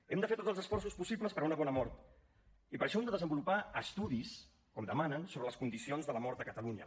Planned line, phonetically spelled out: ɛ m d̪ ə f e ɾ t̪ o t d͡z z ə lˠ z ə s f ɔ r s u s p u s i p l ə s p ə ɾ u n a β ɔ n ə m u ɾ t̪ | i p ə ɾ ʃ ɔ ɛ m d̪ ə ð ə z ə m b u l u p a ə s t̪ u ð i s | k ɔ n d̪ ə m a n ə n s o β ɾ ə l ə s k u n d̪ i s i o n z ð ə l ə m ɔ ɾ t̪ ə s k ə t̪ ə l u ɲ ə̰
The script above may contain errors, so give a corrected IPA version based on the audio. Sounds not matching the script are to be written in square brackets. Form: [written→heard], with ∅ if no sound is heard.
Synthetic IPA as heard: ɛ m d̪ ə f e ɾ t̪ o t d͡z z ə lˠ z ə s f ɔ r s u s p u s i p l ə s p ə ɾ u n [a→ə] β ɔ n ə m [u→ɔ] ɾ t̪ | i p ə ɾ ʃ ɔ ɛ m d̪ ə ð ə z ə m b u l u p a ə s t̪ u ð i s | k ɔ [n→m] d̪ ə m a n ə n s o β ɾ ə l ə s k u n d̪ i s i o n z ð ə l ə m ɔ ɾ t̪ ə [s→∅] k ə t̪ ə l u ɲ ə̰

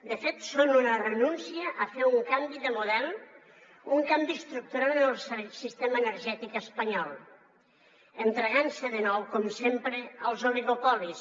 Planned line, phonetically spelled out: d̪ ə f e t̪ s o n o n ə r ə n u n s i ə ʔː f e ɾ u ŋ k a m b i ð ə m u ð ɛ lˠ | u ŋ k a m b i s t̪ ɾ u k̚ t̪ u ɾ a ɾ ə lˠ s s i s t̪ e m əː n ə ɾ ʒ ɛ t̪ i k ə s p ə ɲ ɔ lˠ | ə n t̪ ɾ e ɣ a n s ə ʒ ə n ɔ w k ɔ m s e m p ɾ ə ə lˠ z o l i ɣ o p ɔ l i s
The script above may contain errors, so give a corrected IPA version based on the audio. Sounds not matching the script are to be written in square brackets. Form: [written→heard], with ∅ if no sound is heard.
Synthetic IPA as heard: d̪ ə f e t̪ s o n [o→u] n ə r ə n u n s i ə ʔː f e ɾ u ŋ k a m b i ð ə m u ð ɛ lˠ | u ŋ k a m b i s t̪ ɾ u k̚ t̪ u ɾ a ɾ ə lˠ s s i s t̪ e m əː n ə ɾ ʒ ɛ t̪ i k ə s p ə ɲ ɔ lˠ | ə n t̪ ɾ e ɣ a n s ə [ʒ→ð] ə n ɔ w k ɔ m s e m p ɾ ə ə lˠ z o l i ɣ o p ɔ l i s

